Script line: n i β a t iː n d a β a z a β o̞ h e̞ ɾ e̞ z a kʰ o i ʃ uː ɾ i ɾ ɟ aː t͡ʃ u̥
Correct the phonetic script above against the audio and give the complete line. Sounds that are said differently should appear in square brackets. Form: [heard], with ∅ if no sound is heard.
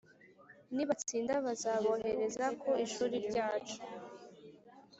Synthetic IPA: n i β a [t͡s] iː n d a β a z a β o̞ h e̞ ɾ e̞ z a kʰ o i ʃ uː ɾ i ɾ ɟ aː t͡ʃ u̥